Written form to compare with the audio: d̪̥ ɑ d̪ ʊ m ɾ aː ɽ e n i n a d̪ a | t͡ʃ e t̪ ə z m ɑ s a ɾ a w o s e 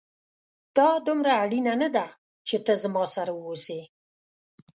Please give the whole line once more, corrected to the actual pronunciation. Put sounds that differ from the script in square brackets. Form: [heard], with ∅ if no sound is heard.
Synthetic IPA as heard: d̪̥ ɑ d̪ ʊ m ɾ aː ɽ [i] n [a] n a d̪ a | t͡ʃ e t̪ ə z m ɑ s a ɾ a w o s e